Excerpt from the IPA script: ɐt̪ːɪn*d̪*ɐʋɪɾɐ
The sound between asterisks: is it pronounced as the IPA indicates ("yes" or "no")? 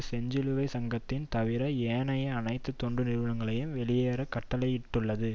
no